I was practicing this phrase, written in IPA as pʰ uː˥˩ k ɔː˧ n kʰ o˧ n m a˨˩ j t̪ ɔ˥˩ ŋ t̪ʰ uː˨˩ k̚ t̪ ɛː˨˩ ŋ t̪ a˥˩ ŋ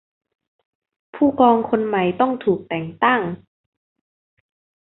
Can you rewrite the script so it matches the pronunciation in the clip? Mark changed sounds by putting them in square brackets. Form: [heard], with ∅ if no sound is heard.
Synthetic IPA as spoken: pʰ uː˥˩ k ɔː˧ [ŋ] kʰ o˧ n m a˨˩ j t̪ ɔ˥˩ ŋ t̪ʰ uː˨˩ k̚ t̪ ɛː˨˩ ŋ t̪ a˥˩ ŋ

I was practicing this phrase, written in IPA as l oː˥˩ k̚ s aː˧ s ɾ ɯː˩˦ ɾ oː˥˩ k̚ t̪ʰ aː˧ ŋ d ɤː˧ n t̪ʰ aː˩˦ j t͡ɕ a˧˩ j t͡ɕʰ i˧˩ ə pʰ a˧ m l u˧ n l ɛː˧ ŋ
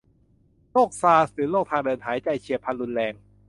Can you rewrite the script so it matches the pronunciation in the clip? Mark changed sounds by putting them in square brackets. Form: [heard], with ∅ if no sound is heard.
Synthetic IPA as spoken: l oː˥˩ k̚ s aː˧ s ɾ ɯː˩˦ [l] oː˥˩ k̚ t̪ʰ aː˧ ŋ d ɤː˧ n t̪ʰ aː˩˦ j t͡ɕ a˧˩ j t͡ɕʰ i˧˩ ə pʰ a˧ [n] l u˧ n l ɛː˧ ŋ

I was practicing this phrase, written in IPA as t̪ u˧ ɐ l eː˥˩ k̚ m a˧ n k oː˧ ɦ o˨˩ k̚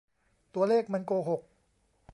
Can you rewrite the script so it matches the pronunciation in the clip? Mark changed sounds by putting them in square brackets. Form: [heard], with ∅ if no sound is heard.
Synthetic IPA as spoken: t̪ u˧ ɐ l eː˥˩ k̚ m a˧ n k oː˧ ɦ o˨˩ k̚

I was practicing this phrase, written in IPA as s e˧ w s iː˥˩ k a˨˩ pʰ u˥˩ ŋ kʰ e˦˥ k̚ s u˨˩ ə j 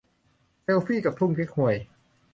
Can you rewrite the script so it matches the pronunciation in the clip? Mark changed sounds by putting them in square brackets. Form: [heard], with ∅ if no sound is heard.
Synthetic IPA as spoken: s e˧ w [f] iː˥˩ k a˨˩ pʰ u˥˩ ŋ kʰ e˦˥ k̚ [h] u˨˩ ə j

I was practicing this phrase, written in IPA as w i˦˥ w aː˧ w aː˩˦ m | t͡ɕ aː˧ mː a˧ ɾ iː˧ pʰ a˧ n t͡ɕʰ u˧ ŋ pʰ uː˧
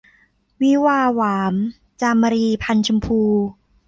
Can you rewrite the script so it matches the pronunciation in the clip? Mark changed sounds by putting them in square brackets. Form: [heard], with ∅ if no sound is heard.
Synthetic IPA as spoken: w i˦˥ w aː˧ w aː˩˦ m | t͡ɕ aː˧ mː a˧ ɾ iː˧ pʰ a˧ n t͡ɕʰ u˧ [m] pʰ uː˧

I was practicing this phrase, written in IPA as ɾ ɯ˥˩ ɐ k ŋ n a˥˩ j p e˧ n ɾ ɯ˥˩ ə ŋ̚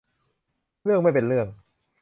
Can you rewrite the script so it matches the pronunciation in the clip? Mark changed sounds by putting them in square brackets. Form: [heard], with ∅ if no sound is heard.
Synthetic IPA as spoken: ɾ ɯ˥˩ [ə] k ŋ [m] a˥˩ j p e˧ n ɾ ɯ˥˩ ə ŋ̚

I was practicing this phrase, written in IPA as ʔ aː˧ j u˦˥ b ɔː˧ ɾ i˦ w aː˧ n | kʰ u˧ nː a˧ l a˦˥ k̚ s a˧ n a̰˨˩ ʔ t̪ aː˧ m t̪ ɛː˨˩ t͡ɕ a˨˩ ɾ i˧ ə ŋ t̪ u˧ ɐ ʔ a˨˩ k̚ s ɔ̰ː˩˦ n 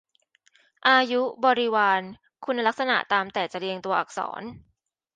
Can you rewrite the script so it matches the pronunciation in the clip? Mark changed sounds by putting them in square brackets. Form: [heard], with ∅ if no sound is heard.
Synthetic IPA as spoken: ʔ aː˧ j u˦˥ b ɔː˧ ɾ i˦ w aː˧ n | kʰ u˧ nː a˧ l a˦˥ k̚ s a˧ n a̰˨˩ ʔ t̪ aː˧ m t̪ ɛː˨˩ t͡ɕ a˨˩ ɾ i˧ ə ŋ t̪ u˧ ɐ ʔ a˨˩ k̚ s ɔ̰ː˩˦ n

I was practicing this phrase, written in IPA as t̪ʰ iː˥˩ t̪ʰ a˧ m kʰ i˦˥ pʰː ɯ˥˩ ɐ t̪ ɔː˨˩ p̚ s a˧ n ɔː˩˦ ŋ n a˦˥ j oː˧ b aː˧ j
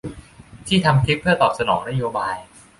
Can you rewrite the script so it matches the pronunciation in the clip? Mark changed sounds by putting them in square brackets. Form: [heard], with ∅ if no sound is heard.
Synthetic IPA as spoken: t̪ʰ iː˥˩ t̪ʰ a˧ m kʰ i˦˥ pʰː ɯ˥˩ ɐ t̪ ɔː˨˩ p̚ s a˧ n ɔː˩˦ ŋ n a˦˥ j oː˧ b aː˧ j

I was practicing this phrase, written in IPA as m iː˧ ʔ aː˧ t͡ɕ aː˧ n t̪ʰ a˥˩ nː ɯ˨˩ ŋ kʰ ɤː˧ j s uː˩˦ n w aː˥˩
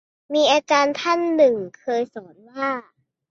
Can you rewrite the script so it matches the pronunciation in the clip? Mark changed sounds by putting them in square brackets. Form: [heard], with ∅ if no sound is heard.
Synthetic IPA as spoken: m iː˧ ʔ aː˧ t͡ɕ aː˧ n t̪ʰ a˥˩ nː ɯ˨˩ ŋ kʰ ɤː˧ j s [ɔː˩˦] n w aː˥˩

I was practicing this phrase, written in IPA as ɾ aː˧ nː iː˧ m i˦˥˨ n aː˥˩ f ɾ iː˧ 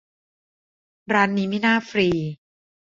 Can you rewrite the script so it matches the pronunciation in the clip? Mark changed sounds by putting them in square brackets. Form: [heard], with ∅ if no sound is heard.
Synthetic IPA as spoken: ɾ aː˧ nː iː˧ m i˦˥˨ n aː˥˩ f ɾ iː˧

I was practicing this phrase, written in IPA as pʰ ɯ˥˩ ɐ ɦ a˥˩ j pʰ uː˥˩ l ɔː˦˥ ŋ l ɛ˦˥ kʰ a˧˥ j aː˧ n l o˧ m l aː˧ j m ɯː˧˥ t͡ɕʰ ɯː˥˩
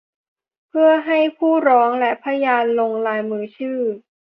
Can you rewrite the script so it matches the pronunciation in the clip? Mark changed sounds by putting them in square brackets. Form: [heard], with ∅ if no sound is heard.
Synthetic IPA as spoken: pʰ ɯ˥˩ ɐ ɦ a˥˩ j pʰ uː˥˩ [ɾ] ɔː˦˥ ŋ l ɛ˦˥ [pʰ] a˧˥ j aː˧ n l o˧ [ŋ] l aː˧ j m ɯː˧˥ t͡ɕʰ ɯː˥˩

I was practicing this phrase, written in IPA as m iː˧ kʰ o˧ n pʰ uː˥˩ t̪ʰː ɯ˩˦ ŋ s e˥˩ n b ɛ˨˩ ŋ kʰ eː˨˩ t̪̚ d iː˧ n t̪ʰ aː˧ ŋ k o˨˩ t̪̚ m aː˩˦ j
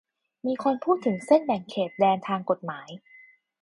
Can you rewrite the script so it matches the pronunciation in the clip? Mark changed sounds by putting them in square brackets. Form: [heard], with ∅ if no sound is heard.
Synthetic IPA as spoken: m iː˧ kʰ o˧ n pʰ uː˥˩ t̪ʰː ɯ˩˦ ŋ s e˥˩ n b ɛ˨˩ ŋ kʰ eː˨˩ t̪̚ d [ɛː˧] n t̪ʰ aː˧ ŋ k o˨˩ t̪̚ m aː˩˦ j

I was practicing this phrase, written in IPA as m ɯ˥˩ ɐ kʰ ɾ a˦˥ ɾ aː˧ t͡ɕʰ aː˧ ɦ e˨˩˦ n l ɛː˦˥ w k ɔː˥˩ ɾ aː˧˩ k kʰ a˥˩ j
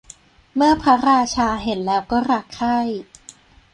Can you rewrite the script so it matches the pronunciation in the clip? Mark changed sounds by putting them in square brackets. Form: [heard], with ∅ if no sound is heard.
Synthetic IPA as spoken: m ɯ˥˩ ɐ [pʰ] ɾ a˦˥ ɾ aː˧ t͡ɕʰ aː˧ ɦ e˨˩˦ n l ɛː˦˥ w k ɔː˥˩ ɾ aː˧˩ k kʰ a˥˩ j

